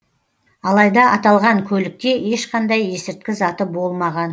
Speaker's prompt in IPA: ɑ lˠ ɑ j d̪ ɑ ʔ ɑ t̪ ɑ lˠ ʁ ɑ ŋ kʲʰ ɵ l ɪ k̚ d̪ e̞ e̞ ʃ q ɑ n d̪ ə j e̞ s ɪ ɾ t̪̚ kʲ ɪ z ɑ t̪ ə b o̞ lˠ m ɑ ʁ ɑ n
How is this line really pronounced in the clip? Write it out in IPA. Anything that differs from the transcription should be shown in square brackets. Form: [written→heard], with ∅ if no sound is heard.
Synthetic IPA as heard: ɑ lˠ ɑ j d̪ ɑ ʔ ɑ t̪ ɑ lˠ ʁ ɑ ŋ kʲʰ ɵ l ɪ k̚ [d̪→t̪] e̞ e̞ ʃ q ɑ n d̪ [ə→ɑ] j e̞ s ɪ ɾ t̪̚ kʲ ɪ z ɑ t̪ ə b o̞ lˠ m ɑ ʁ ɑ n